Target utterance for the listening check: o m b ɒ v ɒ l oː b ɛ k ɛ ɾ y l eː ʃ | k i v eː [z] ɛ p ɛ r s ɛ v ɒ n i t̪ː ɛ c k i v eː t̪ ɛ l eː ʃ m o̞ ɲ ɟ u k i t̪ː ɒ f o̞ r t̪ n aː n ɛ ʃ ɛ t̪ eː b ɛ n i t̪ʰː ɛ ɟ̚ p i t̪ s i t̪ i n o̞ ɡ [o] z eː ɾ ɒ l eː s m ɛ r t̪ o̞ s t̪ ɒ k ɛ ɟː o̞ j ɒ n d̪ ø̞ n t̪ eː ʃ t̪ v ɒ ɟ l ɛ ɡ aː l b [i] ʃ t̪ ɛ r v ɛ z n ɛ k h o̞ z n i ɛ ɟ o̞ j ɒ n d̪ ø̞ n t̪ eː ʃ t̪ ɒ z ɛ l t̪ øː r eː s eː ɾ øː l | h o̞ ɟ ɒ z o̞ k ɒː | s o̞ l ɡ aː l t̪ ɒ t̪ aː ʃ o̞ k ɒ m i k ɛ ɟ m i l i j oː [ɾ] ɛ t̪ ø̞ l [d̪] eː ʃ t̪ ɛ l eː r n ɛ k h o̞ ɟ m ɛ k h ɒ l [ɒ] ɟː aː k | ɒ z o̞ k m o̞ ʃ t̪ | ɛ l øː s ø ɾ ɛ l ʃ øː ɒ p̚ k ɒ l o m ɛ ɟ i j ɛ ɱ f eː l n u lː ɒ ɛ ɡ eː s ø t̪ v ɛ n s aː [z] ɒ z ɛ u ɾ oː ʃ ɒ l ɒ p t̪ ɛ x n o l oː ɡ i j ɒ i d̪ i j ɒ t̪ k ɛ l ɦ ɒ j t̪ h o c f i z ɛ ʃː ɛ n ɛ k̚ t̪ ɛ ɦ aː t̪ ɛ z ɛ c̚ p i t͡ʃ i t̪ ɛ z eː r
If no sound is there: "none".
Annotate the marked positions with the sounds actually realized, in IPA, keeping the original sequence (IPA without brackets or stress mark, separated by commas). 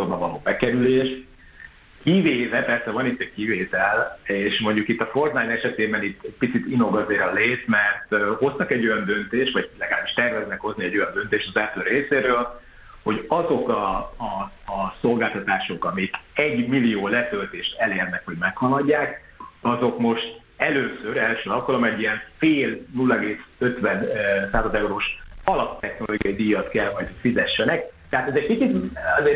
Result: v, ɒ, i, l, t̪, ɒ, z